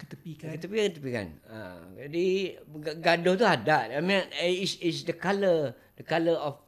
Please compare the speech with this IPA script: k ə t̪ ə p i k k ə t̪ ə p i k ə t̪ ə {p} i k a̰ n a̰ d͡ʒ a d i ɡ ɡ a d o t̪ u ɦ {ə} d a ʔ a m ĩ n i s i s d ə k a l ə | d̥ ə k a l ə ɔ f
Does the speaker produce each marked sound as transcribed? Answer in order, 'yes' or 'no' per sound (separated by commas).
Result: yes, no